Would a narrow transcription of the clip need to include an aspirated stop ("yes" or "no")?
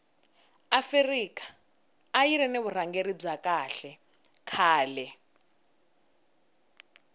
yes